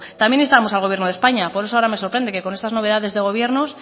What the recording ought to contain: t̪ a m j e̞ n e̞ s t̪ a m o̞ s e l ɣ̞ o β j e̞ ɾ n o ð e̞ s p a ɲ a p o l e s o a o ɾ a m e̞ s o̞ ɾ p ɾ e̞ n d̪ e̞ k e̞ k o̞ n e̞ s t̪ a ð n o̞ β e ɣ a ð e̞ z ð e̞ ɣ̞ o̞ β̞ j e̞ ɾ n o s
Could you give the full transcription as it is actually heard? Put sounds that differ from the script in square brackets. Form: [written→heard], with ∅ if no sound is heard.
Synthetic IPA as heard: t̪ a m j e̞ n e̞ s t̪ a m o̞ s [e→a] l ɣ̞ o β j e̞ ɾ n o ð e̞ s p a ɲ a p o [l→ɾ] e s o a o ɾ a m e̞ s o̞ ɾ p ɾ e̞ n d̪ e̞ k e̞ k o̞ n e̞ s t̪ a [ð→z] n o̞ β e [ɣ→ð] a ð e̞ z ð e̞ ɣ̞ o̞ β̞ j e̞ ɾ n o s